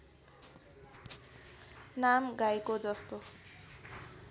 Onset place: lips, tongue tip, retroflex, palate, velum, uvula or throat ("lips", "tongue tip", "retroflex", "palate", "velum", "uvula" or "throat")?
tongue tip